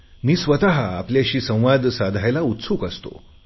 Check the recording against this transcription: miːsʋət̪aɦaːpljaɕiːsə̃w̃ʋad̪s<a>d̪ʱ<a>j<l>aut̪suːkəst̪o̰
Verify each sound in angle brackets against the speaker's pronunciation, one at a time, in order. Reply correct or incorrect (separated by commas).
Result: correct, correct, correct